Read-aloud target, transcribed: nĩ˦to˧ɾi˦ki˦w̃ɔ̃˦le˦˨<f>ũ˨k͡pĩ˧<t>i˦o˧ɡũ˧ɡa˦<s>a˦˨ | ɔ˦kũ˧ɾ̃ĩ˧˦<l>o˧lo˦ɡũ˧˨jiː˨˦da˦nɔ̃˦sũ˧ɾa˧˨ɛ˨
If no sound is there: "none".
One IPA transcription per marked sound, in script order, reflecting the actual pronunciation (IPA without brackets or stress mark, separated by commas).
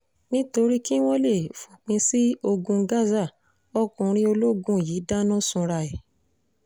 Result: f, s, z, none